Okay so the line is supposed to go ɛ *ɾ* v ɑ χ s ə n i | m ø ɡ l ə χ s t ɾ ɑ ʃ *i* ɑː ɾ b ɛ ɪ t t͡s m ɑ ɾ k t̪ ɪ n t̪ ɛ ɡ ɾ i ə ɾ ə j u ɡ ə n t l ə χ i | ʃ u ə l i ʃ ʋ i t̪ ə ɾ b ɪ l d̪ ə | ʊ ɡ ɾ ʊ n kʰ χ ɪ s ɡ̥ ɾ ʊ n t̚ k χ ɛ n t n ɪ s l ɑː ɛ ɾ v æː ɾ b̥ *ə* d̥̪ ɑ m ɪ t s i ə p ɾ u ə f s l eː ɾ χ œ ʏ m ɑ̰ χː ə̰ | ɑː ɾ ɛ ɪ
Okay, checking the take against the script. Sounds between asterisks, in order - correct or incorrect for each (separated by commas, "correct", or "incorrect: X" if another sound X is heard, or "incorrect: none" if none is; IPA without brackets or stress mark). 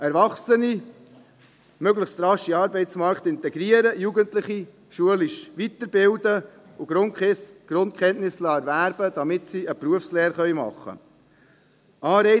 correct, correct, correct